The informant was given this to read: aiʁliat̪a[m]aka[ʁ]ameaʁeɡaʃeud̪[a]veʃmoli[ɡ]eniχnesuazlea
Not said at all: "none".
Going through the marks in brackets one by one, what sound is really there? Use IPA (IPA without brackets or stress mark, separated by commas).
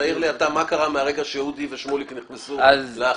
m, ʁ, i, k